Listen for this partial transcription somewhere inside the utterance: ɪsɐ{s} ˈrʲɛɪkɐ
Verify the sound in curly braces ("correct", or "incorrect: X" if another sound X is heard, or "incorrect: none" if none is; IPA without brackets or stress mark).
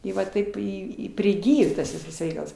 correct